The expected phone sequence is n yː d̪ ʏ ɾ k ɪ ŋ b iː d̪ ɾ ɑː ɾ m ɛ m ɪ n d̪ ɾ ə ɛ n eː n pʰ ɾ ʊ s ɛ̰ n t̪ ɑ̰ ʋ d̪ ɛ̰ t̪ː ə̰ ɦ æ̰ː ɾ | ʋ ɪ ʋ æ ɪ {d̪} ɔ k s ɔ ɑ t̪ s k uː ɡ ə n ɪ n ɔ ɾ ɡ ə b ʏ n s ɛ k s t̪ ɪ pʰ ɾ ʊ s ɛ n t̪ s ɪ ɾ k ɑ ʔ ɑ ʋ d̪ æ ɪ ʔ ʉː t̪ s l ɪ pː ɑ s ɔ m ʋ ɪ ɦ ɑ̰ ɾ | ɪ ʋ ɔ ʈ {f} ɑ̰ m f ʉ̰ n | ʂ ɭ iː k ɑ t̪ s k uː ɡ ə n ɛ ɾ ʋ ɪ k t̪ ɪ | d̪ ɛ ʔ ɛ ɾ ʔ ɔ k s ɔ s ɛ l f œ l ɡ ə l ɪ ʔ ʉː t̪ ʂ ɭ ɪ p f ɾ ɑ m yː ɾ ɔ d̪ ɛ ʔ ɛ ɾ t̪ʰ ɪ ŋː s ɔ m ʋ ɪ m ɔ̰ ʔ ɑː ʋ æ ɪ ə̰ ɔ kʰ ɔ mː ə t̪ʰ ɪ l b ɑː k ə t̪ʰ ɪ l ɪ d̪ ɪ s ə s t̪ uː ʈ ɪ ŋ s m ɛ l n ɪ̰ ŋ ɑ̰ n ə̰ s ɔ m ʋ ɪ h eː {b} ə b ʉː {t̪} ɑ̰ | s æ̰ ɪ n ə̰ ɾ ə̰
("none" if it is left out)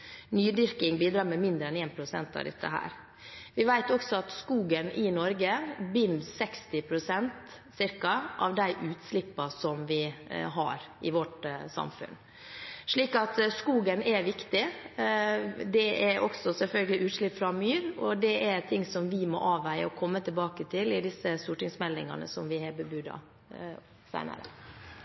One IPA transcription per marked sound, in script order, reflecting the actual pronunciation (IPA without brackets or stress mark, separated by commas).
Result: t̪, s, b, d̪